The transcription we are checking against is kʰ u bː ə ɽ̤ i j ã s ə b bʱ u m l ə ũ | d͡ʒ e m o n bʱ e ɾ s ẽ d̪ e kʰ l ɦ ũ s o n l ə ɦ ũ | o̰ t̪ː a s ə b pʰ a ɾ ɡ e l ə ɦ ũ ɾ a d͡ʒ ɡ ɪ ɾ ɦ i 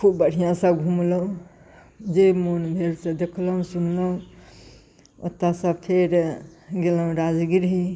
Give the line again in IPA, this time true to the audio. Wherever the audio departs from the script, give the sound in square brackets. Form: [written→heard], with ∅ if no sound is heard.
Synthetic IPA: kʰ u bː ə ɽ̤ i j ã s ə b [bʱ→ɡʱ] u m l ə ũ | d͡ʒ e m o n bʱ e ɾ s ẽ d̪ e kʰ l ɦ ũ s [o→u] n l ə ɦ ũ | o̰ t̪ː a s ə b pʰ [a→e] ɾ ɡ e l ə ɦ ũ ɾ a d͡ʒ ɡ [ɪ→i] ɾ ɦ i